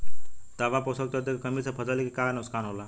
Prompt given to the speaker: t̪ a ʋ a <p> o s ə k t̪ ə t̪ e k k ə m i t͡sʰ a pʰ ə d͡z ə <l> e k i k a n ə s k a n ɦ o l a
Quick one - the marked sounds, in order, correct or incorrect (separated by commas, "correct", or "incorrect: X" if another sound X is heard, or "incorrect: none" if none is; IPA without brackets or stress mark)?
correct, correct